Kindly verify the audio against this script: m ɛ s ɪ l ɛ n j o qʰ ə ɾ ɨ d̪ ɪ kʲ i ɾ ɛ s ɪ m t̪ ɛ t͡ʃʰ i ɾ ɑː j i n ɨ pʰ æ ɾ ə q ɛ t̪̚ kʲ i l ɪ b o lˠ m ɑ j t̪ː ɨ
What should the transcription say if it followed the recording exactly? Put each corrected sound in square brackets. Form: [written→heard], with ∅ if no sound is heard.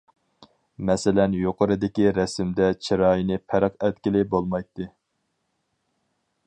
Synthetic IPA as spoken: m ɛ s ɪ l ɛ n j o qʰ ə ɾ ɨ d̪ ɪ kʲ i ɾ ɛ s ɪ m [t̪→d̪] ɛ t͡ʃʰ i ɾ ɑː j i n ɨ pʰ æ ɾ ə q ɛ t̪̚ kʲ i l ɪ b o lˠ m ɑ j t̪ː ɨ